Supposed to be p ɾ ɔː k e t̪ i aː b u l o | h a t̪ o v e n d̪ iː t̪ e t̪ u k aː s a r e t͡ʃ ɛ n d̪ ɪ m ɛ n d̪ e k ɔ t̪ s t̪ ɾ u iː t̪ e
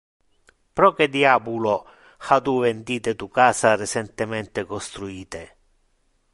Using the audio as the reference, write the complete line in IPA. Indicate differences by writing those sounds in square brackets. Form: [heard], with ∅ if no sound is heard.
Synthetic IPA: p ɾ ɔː k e [d̪] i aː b u l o | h a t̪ [u] v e n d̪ iː t̪ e t̪ u k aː s a r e t͡ʃ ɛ n [t̪] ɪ m ɛ n [t̪] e k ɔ [∅] s t̪ ɾ u iː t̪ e